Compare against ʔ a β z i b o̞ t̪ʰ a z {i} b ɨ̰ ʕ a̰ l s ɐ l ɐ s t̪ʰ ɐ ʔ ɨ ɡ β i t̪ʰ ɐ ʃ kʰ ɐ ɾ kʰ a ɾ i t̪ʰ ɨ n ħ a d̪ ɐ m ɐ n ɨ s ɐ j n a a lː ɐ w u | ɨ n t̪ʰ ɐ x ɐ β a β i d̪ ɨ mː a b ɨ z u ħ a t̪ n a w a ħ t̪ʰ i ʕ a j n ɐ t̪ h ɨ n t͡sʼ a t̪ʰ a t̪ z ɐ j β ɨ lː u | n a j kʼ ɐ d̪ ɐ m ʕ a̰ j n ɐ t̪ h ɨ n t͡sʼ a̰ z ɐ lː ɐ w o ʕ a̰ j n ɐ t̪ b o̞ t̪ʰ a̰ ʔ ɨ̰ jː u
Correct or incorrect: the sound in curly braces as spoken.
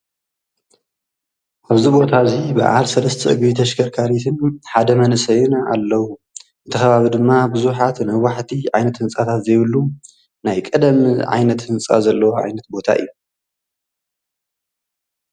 correct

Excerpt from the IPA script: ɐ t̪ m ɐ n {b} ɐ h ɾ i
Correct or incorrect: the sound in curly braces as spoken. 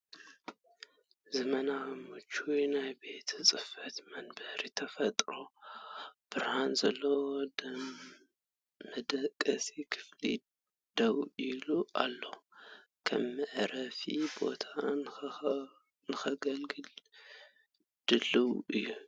correct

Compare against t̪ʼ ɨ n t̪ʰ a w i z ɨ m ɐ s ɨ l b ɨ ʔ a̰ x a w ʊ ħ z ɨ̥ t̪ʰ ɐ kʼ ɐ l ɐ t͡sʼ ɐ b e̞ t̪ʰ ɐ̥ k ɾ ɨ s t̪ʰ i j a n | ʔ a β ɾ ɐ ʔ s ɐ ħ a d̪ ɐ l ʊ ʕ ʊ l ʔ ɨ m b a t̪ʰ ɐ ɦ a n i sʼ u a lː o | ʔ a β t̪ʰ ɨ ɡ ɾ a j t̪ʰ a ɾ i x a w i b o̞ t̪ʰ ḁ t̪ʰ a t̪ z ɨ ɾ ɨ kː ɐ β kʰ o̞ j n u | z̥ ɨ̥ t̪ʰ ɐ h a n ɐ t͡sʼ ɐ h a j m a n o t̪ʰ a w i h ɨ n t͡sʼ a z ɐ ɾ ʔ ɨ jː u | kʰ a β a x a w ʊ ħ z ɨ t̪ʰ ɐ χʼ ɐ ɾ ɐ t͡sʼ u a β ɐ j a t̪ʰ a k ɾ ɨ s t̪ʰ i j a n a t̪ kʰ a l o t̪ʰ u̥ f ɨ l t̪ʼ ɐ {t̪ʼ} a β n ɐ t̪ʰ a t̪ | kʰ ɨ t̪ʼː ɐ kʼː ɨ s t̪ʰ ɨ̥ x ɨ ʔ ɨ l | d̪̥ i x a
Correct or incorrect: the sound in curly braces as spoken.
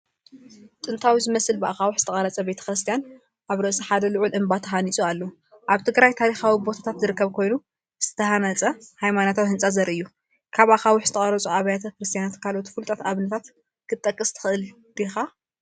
incorrect: t̪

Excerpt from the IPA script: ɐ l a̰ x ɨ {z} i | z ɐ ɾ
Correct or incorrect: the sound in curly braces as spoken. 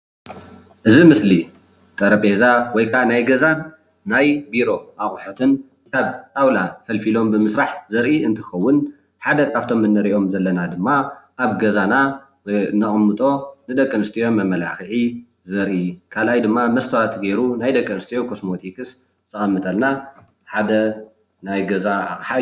incorrect: ʕ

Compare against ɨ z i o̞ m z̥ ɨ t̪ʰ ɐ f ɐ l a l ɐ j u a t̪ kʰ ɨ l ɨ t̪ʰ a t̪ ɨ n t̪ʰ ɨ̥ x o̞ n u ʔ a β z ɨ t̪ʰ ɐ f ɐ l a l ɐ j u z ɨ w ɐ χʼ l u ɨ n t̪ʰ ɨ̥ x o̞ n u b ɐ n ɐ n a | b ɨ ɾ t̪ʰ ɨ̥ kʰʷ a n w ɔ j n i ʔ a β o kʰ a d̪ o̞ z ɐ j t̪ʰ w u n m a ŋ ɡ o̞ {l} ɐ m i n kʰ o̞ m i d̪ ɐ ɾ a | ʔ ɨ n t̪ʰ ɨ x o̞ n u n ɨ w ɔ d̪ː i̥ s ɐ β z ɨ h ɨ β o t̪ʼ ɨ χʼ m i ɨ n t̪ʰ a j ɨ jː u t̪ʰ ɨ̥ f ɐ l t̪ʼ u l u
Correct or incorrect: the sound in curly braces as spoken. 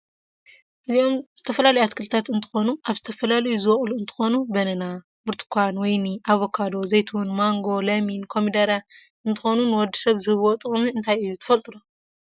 correct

